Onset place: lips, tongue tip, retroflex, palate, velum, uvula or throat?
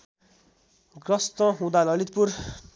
velum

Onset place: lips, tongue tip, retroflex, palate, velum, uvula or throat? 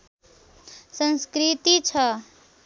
tongue tip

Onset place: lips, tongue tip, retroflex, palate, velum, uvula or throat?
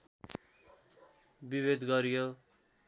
lips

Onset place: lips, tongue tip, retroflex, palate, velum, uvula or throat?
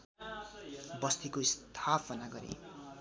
lips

